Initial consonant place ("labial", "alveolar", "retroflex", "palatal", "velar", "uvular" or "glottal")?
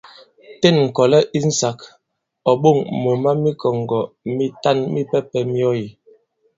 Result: alveolar